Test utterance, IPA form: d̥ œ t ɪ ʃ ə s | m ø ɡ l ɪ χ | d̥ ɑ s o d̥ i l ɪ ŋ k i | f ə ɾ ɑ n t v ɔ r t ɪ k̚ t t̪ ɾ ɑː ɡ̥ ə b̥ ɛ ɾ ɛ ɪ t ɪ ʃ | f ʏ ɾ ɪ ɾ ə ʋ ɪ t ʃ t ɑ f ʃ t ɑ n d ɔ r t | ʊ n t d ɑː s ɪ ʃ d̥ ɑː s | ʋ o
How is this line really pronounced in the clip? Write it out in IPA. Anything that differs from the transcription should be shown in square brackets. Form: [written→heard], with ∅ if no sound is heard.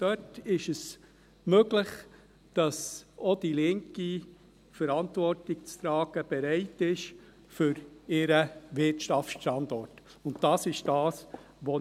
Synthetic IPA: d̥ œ t ɪ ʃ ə s | m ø ɡ l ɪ χ | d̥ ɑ s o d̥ i l ɪ ŋ k i | f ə ɾ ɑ n t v ɔ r t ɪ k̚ [t→t͡s] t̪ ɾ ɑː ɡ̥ ə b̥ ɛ ɾ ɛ ɪ t ɪ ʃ | f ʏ ɾ ɪ ɾ ə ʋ ɪ t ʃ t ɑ f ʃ t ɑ n d ɔ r t | ʊ n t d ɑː s ɪ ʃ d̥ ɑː s | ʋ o